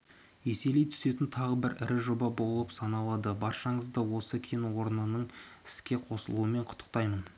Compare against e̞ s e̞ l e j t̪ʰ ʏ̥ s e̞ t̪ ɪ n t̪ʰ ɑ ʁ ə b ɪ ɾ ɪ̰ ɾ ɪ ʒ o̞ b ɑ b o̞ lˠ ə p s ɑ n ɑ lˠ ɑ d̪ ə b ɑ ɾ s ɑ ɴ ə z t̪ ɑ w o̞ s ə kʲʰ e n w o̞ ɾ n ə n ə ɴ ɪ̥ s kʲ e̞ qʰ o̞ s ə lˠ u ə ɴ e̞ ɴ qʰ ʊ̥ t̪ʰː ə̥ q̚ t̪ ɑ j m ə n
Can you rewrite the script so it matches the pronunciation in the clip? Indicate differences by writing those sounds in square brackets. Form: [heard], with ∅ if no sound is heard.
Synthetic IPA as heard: e̞ s e̞ l e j t̪ʰ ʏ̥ s e̞ t̪ ɪ n t̪ʰ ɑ ʁ ə b ɪ ɾ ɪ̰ ɾ ɪ ʒ o̞ b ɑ b o̞ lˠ ə p s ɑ n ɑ lˠ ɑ d̪ ə b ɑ ɾ [ʃ] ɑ ɴ ə z [d̪] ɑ w o̞ s ə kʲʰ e n w o̞ ɾ n ə n ə ɴ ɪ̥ s kʲ e̞ qʰ o̞ s ə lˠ u ə [m] e̞ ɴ qʰ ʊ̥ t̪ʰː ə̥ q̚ t̪ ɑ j m ə n